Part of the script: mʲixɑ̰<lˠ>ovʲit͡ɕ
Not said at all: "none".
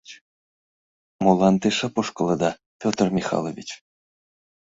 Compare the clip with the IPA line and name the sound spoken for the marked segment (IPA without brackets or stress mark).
lˠ